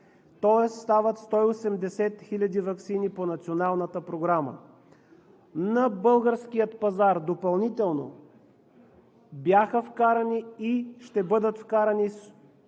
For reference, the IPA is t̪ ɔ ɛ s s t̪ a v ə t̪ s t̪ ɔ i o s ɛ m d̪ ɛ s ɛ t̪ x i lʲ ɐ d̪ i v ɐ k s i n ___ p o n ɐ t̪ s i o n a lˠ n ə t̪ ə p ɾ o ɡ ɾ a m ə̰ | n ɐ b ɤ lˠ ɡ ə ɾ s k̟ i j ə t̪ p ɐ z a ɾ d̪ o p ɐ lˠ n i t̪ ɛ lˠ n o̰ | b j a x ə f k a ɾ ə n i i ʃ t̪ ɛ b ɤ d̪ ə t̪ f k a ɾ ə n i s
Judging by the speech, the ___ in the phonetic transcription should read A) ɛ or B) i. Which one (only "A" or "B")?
B